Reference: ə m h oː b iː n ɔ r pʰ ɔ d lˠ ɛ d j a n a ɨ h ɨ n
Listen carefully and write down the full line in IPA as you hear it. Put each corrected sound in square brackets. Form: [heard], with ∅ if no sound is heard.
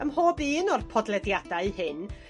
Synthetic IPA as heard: ə m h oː b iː n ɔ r pʰ ɔ d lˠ ɛ d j a [d] a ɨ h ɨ n